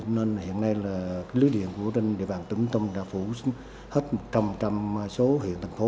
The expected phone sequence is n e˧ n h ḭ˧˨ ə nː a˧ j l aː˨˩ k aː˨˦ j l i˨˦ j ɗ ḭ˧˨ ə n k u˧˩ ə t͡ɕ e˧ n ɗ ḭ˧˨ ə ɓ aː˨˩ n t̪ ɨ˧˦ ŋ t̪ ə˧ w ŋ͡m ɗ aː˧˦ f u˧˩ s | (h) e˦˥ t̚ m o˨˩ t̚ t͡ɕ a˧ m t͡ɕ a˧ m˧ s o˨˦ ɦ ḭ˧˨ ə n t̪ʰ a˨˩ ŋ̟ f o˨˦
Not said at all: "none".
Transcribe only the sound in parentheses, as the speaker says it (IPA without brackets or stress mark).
h